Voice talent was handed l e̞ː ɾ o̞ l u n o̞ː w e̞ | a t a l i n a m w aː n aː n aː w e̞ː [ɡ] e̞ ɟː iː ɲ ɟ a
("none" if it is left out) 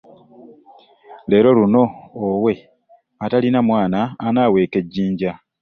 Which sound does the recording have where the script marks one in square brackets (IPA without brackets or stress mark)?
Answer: k